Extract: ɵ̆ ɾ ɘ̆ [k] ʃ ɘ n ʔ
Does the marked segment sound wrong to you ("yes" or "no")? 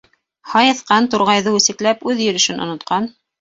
yes